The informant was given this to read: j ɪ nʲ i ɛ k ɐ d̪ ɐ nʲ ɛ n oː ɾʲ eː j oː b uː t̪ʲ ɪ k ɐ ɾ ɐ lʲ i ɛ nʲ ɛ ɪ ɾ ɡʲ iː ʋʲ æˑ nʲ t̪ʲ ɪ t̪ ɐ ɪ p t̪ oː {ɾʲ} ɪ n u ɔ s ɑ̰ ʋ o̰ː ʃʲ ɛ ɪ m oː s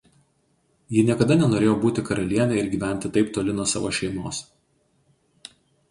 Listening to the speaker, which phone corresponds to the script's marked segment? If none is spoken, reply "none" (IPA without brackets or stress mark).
lʲ